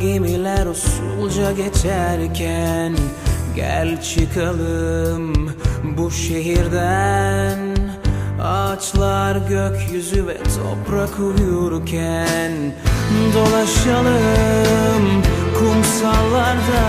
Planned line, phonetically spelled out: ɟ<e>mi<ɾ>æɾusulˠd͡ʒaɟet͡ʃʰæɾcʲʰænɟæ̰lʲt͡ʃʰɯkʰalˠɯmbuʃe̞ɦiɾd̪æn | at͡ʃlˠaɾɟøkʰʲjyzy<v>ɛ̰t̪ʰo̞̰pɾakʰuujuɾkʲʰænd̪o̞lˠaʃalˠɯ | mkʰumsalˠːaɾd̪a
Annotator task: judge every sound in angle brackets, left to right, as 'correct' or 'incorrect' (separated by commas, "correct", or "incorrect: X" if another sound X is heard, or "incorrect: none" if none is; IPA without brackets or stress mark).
correct, incorrect: l, correct